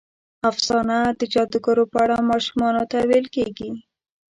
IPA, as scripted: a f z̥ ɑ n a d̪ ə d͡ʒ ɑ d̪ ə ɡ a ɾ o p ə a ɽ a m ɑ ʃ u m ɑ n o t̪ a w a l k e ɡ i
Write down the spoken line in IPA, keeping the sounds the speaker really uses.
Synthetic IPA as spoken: a f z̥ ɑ n a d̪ ə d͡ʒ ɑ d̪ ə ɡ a ɾ o p ə a ɽ a m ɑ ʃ u m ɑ n o t̪ a w e l k e ɡ i